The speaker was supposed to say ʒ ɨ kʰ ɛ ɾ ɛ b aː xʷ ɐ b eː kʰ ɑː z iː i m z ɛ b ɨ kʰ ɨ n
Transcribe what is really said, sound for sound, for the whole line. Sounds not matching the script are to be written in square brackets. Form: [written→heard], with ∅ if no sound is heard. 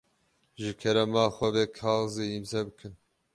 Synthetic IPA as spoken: ʒ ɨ kʰ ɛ ɾ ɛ [b→m] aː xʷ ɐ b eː kʰ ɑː z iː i m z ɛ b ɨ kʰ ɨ n